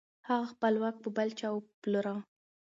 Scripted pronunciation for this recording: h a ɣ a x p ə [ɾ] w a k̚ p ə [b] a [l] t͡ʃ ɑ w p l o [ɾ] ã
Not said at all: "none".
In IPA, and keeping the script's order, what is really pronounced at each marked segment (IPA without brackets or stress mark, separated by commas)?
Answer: l, b, l, ɾ